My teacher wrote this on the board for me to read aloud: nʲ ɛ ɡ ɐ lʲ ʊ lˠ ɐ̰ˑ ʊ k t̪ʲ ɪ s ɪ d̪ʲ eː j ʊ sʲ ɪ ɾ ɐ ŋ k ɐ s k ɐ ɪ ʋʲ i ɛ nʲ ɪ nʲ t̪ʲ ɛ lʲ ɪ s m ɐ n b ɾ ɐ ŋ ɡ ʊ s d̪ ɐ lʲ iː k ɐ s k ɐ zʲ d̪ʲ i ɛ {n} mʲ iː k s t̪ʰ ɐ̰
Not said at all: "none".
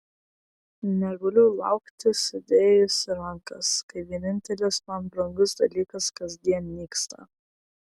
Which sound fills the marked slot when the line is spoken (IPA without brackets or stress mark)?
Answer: n